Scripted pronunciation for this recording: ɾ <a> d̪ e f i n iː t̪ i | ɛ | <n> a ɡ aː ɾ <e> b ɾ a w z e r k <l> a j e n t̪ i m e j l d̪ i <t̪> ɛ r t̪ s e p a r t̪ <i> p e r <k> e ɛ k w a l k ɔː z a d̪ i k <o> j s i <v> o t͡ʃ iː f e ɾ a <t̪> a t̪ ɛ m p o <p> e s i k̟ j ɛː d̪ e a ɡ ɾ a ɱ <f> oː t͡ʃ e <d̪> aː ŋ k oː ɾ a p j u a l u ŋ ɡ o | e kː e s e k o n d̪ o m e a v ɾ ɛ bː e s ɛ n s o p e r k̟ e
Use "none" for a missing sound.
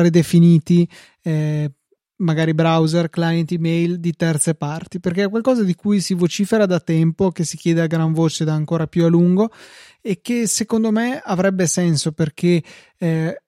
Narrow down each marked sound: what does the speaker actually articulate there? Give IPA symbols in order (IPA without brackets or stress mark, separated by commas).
e, m, i, l, t̪, i, k, u, v, d̪, k, v, d̪